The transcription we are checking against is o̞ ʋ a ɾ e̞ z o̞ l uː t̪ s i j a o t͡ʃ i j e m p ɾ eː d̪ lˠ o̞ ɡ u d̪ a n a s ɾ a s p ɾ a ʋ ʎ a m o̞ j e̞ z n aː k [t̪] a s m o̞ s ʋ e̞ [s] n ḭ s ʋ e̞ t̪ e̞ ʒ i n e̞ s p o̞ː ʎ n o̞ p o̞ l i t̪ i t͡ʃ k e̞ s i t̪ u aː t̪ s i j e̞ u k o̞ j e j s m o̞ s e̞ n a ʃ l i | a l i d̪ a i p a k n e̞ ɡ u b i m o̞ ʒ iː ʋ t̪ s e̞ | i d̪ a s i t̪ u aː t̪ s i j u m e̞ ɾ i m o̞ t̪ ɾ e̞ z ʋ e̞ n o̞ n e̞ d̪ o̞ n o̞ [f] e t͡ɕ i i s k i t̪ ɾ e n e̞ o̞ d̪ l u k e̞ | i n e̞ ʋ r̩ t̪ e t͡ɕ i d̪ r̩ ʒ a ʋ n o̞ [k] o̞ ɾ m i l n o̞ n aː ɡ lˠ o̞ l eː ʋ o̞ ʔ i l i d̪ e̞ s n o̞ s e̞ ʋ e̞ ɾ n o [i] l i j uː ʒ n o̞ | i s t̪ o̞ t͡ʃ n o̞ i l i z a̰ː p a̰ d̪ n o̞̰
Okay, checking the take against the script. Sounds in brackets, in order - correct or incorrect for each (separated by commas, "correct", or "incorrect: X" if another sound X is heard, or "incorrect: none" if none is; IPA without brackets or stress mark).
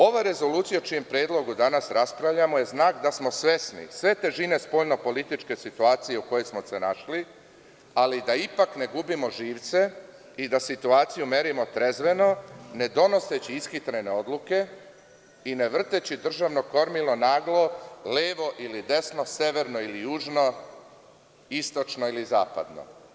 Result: incorrect: d̪, correct, incorrect: s, correct, correct